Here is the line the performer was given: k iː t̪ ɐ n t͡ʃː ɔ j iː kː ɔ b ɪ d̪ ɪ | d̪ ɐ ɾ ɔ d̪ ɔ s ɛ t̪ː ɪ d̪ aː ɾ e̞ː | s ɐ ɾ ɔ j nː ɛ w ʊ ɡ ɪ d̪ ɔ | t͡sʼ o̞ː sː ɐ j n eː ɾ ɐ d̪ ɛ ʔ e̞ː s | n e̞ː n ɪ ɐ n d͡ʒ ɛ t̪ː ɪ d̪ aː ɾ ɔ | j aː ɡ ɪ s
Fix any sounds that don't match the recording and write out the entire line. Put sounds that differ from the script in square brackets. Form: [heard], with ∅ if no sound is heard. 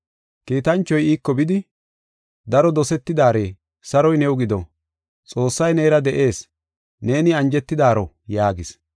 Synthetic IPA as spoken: k iː t̪ ɐ n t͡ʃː ɔ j iː kː ɔ b ɪ d̪ ɪ | d̪ ɐ ɾ ɔ d̪ ɔ s ɛ t̪ː ɪ d̪ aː ɾ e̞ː | s ɐ ɾ ɔ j [n] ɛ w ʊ ɡ ɪ d̪ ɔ | t͡sʼ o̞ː sː ɐ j n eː ɾ ɐ d̪ ɛ ʔ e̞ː s | n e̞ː n ɪ ɐ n d͡ʒ ɛ t̪ː ɪ d̪ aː ɾ ɔ | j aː ɡ ɪ s